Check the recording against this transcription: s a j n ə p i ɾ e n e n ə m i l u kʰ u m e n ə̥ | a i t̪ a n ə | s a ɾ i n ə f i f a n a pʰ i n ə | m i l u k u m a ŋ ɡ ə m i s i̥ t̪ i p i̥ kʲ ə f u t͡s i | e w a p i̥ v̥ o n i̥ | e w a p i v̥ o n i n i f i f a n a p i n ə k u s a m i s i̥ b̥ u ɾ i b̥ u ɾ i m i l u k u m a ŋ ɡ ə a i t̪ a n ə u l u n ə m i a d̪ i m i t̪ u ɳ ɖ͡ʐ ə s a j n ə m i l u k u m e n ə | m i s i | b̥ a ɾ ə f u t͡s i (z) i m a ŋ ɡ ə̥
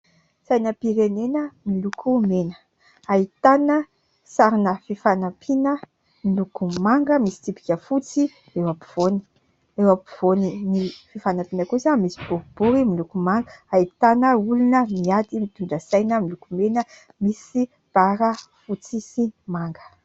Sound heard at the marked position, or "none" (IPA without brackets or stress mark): s